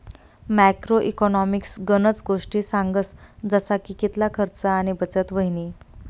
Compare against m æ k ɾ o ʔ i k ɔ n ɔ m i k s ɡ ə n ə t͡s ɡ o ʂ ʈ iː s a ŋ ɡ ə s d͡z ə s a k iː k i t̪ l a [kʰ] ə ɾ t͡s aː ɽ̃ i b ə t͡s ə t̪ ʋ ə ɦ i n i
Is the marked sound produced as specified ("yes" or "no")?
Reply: yes